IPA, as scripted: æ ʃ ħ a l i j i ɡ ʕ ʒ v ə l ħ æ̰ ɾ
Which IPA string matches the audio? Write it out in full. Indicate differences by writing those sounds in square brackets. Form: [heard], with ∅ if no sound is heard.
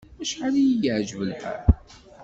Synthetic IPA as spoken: æ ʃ ħ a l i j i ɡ ʕ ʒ v ə l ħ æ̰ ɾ